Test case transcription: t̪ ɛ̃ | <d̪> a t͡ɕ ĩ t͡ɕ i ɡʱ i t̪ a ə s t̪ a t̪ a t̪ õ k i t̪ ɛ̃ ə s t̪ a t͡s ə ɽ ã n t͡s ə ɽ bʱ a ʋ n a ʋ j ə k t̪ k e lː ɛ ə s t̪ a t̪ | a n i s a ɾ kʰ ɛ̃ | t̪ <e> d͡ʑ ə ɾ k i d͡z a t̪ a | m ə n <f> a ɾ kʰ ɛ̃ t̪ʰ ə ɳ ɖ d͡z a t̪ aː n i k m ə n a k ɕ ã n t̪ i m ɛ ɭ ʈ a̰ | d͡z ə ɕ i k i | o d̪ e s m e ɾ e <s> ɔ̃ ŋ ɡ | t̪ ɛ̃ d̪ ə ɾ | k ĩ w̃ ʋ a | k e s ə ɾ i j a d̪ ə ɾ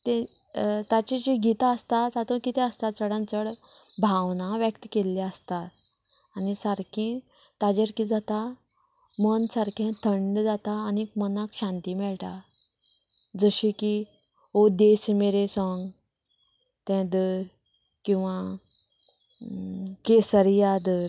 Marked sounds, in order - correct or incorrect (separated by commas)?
incorrect, incorrect, incorrect, correct